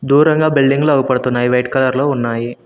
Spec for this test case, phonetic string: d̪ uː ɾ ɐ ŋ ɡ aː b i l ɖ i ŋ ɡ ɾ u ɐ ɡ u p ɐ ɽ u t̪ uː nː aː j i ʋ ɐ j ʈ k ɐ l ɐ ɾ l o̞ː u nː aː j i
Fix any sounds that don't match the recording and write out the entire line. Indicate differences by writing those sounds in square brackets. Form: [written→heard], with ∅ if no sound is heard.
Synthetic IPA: d̪ uː ɾ ɐ ŋ ɡ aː b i l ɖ i ŋ ɡ [ɾ→l] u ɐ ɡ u p ɐ ɽ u t̪ [uː→u] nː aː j i ʋ ɐ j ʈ k ɐ l ɐ ɾ l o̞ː u nː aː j i

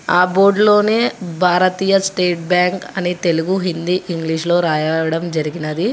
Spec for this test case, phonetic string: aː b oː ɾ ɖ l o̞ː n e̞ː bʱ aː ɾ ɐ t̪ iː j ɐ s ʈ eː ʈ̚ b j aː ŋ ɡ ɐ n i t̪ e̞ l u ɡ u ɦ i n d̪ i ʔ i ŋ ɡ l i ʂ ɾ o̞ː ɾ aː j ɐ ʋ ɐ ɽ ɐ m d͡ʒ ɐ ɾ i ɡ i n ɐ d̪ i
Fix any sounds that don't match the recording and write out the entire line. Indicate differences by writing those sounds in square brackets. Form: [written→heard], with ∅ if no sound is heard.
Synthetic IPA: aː b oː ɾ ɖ l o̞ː n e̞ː bʱ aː ɾ ɐ t̪ iː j ɐ s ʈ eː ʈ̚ b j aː ŋ [ɡ→k] ɐ n i t̪ e̞ l u ɡ u ɦ i n d̪ i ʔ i ŋ ɡ l i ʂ [ɾ→l] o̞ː ɾ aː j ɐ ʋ ɐ ɽ ɐ m d͡ʒ ɐ ɾ i ɡ i n ɐ d̪ i

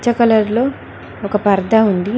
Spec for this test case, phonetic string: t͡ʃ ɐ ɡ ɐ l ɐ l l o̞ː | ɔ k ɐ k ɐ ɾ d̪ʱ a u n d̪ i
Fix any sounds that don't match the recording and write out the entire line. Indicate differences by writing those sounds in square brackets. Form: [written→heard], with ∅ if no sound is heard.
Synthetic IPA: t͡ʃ ɐ [ɡ→k] ɐ l ɐ [l→ɾ] l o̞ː | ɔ k ɐ [k→p] ɐ ɾ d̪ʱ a u n d̪ i

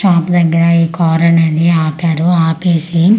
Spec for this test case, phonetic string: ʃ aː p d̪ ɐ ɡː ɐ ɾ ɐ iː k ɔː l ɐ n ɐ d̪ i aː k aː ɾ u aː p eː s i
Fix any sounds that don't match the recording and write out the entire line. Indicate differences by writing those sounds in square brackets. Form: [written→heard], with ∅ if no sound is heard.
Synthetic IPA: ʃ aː p d̪ ɐ ɡː ɐ ɾ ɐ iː k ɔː [l→ɾ] ɐ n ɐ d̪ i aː [k→p] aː ɾ u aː p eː s i

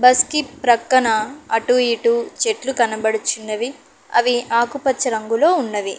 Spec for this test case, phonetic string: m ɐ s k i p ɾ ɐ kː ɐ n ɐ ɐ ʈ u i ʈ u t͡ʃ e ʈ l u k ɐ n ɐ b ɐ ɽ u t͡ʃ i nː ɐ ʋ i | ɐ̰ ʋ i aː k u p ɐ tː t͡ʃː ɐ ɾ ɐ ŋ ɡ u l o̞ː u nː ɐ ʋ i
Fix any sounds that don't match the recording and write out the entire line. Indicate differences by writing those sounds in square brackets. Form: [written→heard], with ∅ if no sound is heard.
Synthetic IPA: [m→b] ɐ s k i p ɾ ɐ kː ɐ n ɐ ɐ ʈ u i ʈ u t͡ʃ e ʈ l u k ɐ n ɐ b ɐ ɽ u t͡ʃ i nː ɐ ʋ i | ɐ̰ ʋ i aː k u p ɐ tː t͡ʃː ɐ ɾ ɐ ŋ ɡ u l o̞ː u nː ɐ ʋ i

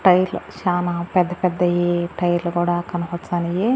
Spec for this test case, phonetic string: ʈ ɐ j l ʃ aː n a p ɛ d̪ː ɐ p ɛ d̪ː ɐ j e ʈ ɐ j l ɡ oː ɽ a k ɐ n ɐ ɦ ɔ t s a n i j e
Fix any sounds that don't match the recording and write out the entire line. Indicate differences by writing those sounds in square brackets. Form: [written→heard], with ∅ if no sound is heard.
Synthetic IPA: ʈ ɐ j l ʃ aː n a p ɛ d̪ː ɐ p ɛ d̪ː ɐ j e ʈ ɐ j l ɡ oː ɽ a k ɐ n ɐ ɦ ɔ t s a n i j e

